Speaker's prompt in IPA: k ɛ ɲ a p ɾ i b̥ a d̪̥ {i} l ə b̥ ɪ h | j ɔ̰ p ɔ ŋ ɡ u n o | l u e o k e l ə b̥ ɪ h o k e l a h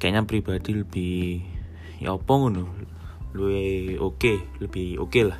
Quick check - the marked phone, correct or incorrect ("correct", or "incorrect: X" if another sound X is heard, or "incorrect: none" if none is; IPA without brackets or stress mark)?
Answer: correct